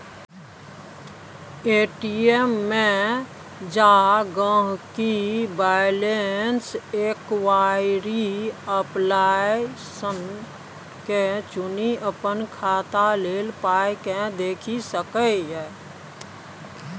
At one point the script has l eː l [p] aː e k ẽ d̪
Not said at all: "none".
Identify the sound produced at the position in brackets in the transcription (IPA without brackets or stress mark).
p